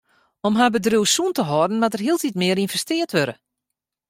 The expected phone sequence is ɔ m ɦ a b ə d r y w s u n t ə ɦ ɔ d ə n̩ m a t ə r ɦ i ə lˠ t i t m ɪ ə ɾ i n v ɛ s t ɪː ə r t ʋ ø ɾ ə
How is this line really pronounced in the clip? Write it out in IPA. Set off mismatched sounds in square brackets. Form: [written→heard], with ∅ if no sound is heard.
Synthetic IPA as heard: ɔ m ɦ a b ə d r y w s u n t ə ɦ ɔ d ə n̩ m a t ə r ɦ i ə lˠ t i t m ɪ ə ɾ i n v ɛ s t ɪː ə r t ʋ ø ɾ ə